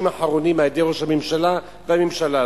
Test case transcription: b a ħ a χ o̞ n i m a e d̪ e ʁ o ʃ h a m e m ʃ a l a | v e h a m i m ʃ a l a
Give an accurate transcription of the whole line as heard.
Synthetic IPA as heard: m a ħ a ʁ o̞ n i m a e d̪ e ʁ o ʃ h a m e m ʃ a l a | v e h a m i m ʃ a l a